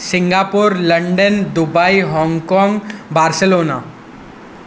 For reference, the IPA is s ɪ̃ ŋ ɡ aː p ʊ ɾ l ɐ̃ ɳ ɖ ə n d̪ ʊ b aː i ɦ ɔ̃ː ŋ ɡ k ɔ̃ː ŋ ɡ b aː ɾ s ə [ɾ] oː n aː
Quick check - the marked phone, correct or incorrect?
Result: incorrect